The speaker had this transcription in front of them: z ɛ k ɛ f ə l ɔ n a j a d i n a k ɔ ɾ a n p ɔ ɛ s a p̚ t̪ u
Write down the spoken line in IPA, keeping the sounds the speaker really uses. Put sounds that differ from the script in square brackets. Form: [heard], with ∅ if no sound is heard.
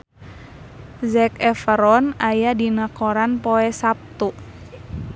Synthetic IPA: z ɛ k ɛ f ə [ɾ] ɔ n a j a d i n a k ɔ ɾ a n p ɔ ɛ s a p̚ t̪ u